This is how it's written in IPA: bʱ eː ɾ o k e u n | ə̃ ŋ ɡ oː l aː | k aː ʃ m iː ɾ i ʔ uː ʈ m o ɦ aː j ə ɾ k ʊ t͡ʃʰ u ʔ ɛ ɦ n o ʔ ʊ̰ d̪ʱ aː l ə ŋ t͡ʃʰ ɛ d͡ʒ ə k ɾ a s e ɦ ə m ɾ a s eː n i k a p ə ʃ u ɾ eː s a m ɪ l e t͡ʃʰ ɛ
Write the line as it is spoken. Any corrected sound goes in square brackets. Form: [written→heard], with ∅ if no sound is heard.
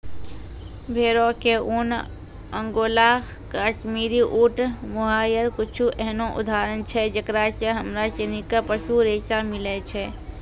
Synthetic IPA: bʱ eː ɾ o k e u n | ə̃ ŋ ɡ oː l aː | k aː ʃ m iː ɾ i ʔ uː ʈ m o ɦ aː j ə ɾ k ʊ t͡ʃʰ u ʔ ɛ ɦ n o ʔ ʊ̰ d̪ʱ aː [l→ɾ] ə [ŋ→n] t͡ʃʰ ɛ d͡ʒ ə k ɾ a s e ɦ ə m ɾ a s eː n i k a p ə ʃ u ɾ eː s a m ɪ l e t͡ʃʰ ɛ